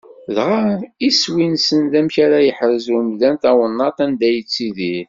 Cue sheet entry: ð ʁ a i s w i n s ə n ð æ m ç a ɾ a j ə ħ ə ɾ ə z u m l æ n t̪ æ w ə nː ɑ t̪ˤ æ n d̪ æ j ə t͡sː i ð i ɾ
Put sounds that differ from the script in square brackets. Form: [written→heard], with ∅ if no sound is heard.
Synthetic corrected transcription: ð ʁ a i s w i n s ə n ð æ m ç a ɾ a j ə ħ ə ɾ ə z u m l æ n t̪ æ w ə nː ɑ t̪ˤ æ n d̪ æ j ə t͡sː i ð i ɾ